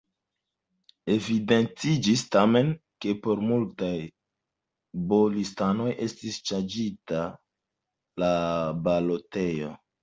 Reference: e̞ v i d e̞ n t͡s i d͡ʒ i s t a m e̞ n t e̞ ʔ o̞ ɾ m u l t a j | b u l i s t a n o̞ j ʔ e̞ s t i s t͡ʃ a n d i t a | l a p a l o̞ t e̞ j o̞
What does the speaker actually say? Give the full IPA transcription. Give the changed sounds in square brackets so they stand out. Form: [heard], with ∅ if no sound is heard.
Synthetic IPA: e̞ v i d e̞ n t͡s i d͡ʒ i s t a m e̞ n [k] e̞ [p] o̞ ɾ m u l t a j | b [o] l i s t a n o̞ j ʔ e̞ s t i s t͡ʃ a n [d͡ʒ] i t a | l a [b] a l o̞ t e̞ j o̞